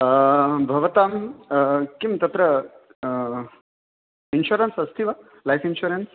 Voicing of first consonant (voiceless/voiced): voiced